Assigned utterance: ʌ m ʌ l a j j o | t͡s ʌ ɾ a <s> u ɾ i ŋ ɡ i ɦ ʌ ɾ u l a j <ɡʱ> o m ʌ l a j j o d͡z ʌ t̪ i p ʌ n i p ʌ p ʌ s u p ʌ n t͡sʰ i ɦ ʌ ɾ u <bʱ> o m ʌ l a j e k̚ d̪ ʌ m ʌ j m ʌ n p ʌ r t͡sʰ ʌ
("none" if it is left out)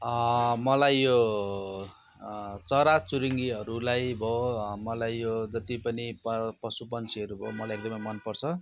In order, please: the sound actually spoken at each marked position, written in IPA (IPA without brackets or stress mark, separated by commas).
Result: t͡s, bʱ, bʱ